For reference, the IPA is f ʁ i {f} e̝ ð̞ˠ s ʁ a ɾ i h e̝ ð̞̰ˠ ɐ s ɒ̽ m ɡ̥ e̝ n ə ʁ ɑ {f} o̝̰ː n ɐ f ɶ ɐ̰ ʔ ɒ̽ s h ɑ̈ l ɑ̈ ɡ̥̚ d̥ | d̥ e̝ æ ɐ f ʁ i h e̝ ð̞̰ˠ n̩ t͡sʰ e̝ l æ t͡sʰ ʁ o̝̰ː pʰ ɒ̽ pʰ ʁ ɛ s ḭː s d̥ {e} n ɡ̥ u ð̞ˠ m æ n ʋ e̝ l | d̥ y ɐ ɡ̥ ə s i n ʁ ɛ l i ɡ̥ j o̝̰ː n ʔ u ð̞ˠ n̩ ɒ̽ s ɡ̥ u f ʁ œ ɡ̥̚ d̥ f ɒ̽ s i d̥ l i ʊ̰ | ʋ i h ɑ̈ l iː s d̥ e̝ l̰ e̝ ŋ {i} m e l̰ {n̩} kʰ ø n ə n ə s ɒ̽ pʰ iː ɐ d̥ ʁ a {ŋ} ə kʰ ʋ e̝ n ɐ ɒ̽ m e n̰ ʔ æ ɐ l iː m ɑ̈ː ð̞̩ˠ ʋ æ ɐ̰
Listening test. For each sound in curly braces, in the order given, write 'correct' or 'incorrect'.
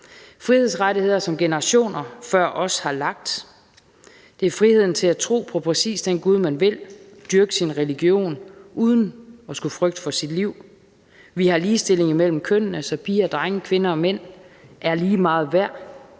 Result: incorrect: h, incorrect: ɕ, correct, correct, incorrect: m̩, correct

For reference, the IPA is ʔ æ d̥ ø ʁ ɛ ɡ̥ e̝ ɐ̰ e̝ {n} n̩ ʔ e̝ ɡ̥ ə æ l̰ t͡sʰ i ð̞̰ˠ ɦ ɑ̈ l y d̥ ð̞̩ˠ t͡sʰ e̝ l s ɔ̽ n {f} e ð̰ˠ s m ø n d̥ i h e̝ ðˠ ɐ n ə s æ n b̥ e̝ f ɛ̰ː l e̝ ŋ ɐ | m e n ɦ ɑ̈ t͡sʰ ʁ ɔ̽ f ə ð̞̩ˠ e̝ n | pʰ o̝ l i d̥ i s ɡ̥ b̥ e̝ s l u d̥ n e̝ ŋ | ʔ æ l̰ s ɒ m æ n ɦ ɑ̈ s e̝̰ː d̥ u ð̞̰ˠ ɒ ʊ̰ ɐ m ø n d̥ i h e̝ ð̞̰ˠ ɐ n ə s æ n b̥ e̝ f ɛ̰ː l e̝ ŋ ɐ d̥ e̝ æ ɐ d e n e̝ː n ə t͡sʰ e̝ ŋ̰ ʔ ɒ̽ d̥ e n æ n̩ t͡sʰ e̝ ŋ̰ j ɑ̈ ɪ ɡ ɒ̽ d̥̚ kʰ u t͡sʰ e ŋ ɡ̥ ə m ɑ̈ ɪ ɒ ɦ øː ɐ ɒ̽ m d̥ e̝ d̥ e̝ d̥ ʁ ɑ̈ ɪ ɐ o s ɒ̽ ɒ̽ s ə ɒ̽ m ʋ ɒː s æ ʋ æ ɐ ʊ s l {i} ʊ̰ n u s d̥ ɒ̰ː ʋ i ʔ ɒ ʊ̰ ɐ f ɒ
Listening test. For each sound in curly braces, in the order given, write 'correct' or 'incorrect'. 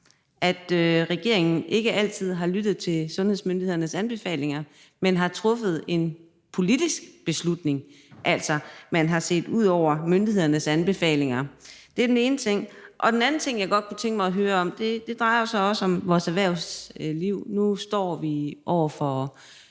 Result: incorrect: ŋ, incorrect: h, correct

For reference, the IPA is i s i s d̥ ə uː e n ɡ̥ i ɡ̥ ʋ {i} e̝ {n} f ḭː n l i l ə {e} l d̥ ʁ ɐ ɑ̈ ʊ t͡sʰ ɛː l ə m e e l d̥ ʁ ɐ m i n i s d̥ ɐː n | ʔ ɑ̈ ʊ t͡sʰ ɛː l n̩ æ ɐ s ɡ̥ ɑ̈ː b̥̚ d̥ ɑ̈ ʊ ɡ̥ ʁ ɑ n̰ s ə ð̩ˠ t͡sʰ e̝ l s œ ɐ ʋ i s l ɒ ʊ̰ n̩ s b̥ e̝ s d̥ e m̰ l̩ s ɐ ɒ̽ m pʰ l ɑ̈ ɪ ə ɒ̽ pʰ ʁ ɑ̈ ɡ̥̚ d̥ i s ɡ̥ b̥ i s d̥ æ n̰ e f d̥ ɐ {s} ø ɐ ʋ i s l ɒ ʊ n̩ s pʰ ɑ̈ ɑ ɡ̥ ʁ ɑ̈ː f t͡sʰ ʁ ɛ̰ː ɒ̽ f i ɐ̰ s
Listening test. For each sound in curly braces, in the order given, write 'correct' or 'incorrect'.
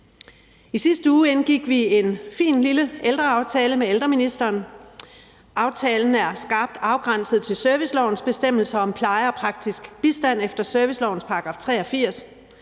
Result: correct, correct, correct, correct

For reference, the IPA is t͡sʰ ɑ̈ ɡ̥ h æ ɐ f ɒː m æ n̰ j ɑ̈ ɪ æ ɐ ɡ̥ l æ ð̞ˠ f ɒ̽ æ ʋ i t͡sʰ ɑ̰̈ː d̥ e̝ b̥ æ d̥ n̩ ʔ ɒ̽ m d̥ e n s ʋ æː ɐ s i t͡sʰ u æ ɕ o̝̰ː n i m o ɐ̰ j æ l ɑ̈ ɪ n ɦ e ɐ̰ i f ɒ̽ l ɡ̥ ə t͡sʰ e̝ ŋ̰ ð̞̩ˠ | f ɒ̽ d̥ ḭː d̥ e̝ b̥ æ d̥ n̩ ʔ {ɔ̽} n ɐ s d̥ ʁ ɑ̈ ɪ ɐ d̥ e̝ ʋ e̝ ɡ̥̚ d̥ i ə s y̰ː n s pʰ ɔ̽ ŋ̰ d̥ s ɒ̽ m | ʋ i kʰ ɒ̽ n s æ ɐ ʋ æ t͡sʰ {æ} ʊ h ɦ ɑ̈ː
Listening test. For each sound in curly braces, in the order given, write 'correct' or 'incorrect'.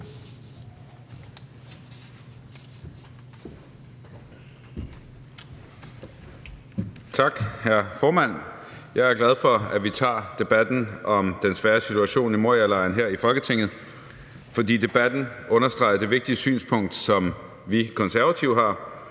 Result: correct, incorrect: i

